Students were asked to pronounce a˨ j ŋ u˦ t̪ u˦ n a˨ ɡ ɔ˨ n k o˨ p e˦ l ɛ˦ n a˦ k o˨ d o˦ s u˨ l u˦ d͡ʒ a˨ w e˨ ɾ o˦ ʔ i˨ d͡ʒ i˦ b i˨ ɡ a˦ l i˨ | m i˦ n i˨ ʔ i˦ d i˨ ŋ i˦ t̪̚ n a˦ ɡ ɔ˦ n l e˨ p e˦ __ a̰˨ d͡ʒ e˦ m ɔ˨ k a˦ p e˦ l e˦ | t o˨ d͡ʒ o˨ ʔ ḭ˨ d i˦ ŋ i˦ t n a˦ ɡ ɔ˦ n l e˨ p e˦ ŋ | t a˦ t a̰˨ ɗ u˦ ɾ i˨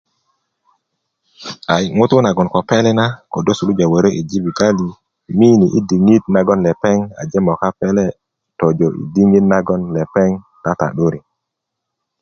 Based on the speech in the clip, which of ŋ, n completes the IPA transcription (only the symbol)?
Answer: ŋ